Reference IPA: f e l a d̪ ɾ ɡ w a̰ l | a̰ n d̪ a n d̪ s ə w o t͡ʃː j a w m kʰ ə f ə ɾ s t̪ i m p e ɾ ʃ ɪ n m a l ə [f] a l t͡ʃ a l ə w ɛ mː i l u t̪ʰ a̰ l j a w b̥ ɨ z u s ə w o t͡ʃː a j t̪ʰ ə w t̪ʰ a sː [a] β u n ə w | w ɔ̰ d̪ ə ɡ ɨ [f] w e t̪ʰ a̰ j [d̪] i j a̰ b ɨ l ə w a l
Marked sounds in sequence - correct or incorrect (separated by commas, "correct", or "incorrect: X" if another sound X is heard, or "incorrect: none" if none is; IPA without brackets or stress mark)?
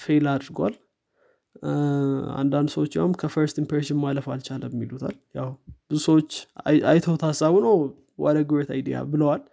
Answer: correct, correct, incorrect: none, correct